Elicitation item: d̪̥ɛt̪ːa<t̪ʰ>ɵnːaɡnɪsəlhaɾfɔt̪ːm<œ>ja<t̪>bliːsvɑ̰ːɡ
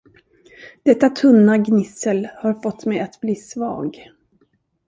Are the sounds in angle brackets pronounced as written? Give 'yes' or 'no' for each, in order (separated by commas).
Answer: yes, no, yes